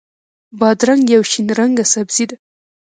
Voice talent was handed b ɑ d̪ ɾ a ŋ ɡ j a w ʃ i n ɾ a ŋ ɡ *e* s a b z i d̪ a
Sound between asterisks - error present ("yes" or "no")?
yes